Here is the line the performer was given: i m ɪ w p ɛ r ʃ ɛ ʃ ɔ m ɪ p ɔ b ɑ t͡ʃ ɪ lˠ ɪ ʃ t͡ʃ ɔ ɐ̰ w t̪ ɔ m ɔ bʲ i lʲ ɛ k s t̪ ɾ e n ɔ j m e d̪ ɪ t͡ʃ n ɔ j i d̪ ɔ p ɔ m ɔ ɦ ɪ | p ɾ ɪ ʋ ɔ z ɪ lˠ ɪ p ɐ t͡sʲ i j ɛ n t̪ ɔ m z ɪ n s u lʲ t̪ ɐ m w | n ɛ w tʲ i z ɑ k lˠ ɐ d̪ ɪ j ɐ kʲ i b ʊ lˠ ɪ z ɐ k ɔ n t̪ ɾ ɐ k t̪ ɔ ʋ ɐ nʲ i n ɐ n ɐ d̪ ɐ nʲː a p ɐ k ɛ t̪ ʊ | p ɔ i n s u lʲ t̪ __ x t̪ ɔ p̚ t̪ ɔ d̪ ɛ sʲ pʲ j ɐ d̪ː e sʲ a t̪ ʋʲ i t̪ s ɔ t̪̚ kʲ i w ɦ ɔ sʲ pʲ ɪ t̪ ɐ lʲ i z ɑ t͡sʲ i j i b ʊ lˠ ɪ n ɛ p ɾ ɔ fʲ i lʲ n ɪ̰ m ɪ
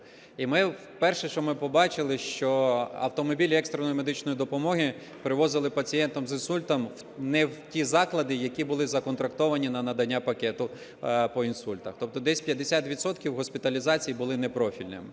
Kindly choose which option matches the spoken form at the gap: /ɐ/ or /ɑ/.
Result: ɐ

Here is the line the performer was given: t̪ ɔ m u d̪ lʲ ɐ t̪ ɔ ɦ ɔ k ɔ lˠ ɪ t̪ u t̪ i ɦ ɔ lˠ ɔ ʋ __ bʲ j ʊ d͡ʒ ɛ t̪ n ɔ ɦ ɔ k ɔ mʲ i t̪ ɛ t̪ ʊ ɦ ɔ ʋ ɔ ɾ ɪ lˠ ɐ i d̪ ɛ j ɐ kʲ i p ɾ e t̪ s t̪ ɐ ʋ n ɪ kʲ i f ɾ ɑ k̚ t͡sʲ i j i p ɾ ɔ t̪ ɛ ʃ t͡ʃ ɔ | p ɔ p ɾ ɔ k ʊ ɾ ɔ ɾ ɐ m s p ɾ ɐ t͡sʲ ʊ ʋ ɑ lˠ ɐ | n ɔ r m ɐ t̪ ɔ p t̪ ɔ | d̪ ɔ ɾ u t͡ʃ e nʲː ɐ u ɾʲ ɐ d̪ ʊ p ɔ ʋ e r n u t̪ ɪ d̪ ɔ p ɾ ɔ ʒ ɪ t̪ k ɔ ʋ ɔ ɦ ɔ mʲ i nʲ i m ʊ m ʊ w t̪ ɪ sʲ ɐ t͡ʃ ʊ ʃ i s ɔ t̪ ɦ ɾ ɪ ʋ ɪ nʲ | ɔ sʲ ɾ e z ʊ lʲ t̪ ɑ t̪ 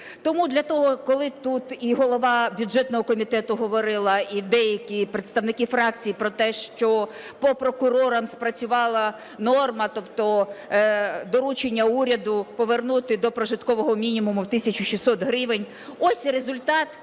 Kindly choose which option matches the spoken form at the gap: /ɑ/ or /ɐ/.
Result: ɑ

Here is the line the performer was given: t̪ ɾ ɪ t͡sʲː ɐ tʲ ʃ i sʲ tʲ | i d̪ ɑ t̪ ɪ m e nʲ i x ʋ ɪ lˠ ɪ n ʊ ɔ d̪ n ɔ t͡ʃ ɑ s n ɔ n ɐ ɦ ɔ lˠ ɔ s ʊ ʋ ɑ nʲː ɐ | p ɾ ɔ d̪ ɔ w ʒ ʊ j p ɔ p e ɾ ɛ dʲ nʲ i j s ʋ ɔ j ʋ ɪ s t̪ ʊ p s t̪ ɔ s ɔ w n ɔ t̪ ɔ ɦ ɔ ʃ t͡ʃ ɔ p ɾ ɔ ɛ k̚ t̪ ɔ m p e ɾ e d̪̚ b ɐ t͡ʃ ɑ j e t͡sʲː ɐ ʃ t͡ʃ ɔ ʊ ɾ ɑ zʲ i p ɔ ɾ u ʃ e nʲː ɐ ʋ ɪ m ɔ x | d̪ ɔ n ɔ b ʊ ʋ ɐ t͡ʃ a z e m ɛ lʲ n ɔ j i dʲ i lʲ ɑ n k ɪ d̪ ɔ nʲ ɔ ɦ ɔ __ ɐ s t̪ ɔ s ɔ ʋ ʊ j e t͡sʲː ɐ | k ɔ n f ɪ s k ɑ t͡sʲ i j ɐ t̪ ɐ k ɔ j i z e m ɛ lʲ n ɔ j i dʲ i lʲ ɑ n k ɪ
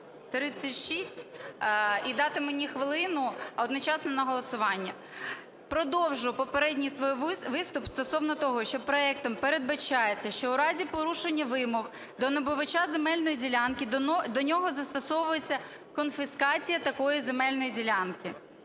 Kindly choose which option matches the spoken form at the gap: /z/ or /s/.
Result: z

